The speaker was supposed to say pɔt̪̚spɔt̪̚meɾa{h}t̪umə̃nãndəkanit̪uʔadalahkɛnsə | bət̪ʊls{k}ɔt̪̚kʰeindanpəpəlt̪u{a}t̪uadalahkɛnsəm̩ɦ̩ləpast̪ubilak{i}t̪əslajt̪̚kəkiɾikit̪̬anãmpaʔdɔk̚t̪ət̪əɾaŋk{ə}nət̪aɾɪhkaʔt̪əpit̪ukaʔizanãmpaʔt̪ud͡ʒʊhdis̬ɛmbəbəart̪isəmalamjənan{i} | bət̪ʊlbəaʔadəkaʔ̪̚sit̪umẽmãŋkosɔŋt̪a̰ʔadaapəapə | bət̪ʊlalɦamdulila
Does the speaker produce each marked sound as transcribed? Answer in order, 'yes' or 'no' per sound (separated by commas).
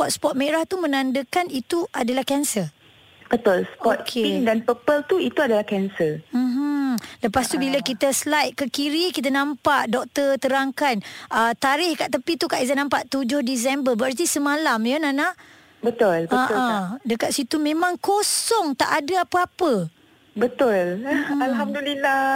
yes, no, no, yes, no, no